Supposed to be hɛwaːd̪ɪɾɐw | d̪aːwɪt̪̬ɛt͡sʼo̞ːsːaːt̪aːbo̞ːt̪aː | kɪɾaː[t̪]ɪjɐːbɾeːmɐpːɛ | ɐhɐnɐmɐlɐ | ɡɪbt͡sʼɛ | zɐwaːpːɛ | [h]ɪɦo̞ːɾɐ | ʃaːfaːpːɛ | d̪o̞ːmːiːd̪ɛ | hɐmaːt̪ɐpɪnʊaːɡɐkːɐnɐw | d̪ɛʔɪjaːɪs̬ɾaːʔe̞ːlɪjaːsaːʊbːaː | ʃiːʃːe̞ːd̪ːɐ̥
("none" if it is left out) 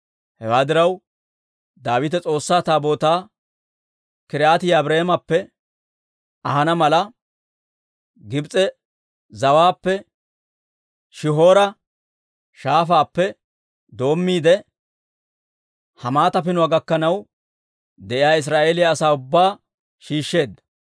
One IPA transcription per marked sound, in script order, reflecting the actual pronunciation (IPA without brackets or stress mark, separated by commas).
t̪, ʃ